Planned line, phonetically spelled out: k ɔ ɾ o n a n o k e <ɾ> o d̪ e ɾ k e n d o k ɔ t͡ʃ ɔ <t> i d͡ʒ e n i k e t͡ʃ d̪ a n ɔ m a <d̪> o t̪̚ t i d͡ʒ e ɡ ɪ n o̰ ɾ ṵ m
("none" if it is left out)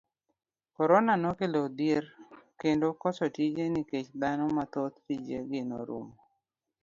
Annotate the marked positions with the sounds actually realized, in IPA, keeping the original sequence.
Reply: l, t, t̪

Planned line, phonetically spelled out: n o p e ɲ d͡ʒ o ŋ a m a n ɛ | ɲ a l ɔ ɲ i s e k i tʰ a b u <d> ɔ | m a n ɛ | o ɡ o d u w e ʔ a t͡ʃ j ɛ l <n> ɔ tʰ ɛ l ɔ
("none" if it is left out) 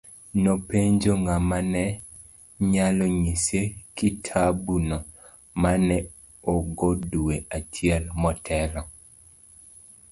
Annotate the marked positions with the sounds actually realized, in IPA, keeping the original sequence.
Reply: n, m

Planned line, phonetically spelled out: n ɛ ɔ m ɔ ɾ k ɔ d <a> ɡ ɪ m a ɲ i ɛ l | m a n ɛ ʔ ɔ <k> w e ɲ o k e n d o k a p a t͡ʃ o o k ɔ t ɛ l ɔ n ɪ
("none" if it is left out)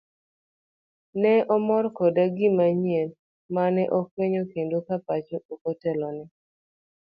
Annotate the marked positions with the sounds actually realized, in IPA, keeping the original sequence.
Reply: a, k

